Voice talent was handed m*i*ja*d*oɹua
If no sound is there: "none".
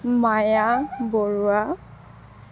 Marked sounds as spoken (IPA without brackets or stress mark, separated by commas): a, b